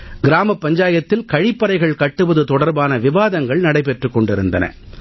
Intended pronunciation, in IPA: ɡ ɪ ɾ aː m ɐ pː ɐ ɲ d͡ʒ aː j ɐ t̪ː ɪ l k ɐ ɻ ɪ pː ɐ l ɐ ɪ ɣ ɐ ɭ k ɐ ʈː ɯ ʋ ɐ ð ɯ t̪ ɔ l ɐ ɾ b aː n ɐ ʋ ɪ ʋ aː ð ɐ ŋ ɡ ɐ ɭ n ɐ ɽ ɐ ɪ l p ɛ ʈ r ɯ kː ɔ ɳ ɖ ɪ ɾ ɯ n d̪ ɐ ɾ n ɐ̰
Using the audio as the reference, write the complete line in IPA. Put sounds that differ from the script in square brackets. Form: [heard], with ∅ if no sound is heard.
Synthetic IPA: ɡ ɪ ɾ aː m ɐ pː ɐ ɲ d͡ʒ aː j ɐ t̪ː ɪ l k ɐ ɻ ɪ pː ɐ [ɾ] ɐ ɪ ɣ ɐ ɭ k ɐ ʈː ɯ ʋ ɐ ð ɯ t̪ ɔ [ɽ] ɐ ɾ b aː n ɐ ʋ ɪ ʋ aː ð ɐ ŋ ɡ ɐ ɭ n ɐ ɽ ɐ ɪ [∅] p ɛ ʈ r ɯ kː ɔ ɳ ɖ ɪ ɾ ɯ n d̪ ɐ [∅] n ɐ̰